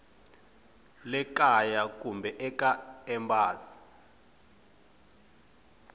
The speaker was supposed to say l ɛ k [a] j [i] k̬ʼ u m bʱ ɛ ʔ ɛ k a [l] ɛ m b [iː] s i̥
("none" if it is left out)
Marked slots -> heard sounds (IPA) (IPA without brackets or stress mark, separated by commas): a, a, none, aː